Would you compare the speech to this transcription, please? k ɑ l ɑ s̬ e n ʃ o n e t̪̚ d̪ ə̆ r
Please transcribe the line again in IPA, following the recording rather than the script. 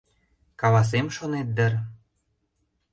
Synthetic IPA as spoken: k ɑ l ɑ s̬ e m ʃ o n e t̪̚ d̪ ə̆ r

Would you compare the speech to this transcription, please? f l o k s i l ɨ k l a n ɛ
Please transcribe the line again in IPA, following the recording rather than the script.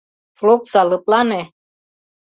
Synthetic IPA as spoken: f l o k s a l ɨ p l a n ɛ

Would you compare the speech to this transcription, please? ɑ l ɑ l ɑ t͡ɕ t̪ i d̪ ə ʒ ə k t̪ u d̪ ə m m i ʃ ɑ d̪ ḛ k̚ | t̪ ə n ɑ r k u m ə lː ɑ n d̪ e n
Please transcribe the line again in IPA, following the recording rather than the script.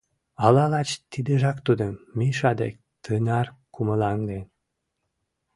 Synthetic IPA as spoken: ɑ l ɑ l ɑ t͡ɕ t̪ i d̪ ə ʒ ɑ k t̪ u d̪ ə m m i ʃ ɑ d̪ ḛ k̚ | t̪ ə n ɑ r k u m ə l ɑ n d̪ e n

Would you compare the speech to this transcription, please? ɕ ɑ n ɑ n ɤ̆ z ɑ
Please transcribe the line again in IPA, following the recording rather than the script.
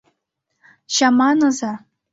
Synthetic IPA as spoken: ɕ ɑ m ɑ n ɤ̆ z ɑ

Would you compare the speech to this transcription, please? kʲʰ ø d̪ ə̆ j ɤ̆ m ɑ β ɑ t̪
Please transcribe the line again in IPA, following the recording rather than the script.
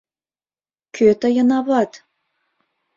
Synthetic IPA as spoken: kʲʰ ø t̪ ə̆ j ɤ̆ n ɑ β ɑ t̪

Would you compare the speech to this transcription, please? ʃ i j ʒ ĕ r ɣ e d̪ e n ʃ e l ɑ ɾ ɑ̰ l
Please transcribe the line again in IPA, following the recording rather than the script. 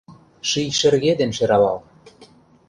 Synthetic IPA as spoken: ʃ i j ʃ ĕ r ɣ e d̪ e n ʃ e ɾ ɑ l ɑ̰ l

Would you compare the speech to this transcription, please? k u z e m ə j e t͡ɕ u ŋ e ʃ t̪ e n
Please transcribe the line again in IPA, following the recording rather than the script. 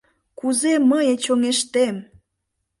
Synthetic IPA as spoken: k u z e m ə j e t͡ɕ o ŋ e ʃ t̪ e m

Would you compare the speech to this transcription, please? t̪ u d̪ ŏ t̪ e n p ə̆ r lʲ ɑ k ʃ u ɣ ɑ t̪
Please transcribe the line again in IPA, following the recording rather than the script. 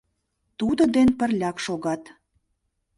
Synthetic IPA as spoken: t̪ u d̪ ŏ d̪ e n p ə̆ r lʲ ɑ k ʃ o ɣ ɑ t̪

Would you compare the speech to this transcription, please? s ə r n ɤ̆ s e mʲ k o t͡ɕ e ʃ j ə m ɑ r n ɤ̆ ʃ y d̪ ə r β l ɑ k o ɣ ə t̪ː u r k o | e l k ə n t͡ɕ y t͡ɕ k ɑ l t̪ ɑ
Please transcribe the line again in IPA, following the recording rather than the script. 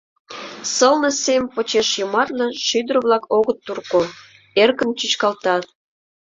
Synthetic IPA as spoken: s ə l n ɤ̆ s e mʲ p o t͡ɕ e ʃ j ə m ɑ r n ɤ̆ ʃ y d̪ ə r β l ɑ k o ɣ ə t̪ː u r k o | e r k ə n t͡ɕ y t͡ɕ k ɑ l t̪ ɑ

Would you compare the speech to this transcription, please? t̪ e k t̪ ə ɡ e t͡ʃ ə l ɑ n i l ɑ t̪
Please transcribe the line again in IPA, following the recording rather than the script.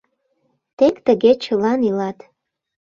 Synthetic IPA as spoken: t̪ e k t̪ ə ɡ e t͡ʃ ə l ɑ n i l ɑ t̪

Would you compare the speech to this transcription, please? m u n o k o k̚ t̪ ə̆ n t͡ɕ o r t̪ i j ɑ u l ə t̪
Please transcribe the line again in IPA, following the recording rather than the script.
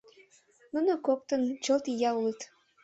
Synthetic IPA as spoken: n u n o k o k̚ t̪ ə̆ n t͡ɕ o l t̪ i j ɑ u l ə t̪

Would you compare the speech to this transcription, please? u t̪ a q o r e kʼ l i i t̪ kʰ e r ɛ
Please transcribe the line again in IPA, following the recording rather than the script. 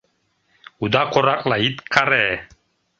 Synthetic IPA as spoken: u d̪ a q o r a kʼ l a i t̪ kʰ a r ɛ

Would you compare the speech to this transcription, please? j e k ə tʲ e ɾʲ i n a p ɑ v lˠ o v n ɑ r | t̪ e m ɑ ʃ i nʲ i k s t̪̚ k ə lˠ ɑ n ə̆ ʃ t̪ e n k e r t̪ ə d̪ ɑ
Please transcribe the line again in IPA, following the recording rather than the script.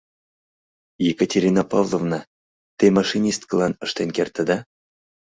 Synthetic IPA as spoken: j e k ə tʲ e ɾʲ i n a p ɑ v lˠ o v n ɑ | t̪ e m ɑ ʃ i nʲ i s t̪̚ k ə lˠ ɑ n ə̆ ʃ t̪ e n k e r t̪ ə d̪ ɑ

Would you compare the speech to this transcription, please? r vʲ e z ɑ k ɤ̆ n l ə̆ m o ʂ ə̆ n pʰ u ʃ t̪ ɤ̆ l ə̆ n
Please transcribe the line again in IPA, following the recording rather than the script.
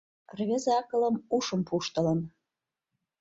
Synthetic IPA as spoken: r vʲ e z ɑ k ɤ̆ l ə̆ m u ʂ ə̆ m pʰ u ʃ t̪ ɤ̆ l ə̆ n

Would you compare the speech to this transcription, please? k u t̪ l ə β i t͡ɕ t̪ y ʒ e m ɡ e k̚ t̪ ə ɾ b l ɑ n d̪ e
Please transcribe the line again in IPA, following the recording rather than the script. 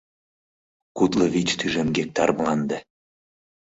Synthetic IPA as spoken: k u t̪ l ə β i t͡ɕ t̪ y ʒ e m ɡ e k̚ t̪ ɑ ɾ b l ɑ n d̪ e

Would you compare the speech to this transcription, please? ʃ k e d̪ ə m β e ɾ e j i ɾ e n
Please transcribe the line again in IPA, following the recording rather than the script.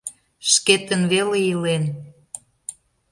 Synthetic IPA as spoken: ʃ k e t̪ ə n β e l e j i l e n

